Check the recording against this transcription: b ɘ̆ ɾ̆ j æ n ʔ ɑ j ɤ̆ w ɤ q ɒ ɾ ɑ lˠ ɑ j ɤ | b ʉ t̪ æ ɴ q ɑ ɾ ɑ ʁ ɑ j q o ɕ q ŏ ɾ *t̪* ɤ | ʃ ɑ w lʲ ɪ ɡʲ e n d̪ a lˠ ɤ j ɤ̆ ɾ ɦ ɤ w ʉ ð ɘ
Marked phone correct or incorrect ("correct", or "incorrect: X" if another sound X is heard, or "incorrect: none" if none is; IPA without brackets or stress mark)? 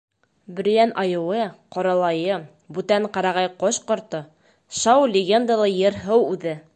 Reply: correct